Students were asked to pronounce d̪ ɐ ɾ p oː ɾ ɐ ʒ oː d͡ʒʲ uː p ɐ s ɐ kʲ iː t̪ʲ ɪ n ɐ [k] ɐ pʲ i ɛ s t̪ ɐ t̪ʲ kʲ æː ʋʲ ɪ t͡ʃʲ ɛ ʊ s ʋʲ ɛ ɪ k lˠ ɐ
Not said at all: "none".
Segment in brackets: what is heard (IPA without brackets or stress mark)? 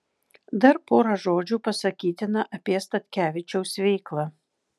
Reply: ʔ